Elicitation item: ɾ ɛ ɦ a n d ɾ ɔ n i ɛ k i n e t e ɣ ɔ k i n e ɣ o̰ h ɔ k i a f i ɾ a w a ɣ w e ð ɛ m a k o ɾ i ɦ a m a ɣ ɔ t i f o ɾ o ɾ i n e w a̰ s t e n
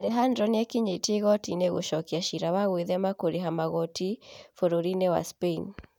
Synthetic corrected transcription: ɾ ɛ ɦ a n d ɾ ɔ n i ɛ k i ɲ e t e ɣ ɔ t i n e ɣ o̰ ʃ ɔ k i a ʃ i ɾ a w a ɣ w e ð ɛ m a k o ɾ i ɦ a m a ɣ ɔ t i f o ɾ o ɾ i n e w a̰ s p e n